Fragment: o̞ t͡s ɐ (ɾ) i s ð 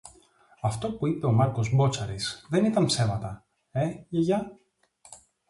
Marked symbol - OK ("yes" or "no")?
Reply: yes